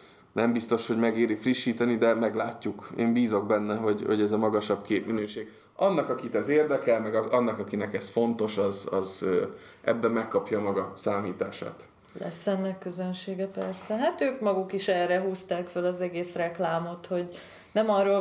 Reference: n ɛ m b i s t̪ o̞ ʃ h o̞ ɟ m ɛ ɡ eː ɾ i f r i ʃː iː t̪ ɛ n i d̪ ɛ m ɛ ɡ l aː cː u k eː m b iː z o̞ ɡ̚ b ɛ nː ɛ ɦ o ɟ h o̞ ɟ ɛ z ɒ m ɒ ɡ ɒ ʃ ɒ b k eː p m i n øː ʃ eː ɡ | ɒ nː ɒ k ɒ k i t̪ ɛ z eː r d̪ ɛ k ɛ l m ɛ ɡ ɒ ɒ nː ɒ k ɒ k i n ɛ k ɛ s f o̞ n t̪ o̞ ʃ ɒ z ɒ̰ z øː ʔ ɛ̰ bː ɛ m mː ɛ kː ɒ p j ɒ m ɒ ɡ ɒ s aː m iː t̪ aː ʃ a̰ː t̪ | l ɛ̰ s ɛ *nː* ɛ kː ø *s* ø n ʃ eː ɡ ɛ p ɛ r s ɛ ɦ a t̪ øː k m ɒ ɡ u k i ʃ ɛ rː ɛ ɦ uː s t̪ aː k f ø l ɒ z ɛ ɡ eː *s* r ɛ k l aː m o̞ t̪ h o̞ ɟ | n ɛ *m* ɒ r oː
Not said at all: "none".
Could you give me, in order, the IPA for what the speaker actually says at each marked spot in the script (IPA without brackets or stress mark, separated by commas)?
nː, z, s, m